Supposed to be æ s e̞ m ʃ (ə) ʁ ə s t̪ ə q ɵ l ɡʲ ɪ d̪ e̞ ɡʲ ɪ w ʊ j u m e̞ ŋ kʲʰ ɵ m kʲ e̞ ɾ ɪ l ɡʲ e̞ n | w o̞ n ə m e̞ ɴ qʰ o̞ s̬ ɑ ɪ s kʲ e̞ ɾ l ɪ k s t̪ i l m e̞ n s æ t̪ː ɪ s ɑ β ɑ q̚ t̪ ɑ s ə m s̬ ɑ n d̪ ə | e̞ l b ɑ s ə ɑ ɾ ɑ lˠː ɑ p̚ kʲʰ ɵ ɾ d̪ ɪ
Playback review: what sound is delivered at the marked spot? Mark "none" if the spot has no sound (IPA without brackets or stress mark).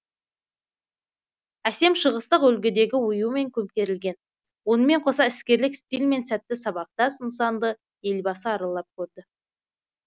ə